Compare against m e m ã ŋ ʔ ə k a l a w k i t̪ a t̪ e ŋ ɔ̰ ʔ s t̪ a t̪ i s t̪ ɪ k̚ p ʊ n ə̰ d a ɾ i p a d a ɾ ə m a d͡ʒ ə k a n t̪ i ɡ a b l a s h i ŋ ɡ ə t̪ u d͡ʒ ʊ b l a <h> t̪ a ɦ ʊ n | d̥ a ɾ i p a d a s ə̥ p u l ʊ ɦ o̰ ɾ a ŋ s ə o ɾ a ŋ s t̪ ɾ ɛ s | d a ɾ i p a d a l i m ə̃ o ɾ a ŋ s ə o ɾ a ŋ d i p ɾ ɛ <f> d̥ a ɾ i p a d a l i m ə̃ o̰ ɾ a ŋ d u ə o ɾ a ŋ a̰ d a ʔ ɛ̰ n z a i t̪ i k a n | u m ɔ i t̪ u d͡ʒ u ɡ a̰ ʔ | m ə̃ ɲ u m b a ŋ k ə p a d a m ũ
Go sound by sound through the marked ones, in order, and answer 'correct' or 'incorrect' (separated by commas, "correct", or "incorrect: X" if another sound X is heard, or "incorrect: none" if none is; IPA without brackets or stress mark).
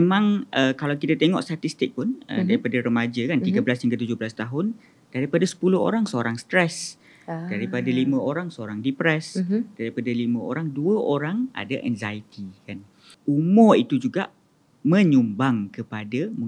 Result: incorrect: s, incorrect: s